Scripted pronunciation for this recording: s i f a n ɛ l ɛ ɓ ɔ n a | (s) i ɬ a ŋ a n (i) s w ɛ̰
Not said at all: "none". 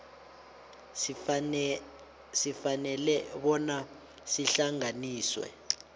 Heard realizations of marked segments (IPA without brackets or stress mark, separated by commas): s, iː